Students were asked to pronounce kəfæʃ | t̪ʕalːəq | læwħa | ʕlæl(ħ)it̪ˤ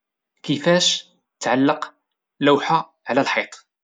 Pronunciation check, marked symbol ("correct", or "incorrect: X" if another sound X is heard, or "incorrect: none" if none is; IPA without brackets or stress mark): correct